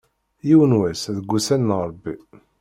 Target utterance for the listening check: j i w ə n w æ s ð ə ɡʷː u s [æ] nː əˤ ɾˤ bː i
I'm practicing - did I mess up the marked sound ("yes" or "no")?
no